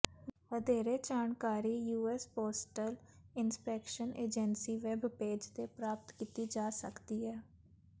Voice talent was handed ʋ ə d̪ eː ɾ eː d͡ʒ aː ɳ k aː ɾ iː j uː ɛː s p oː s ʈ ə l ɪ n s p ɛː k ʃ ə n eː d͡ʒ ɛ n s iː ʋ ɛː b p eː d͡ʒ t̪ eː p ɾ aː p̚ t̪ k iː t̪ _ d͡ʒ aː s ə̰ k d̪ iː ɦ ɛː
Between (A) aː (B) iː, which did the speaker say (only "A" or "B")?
B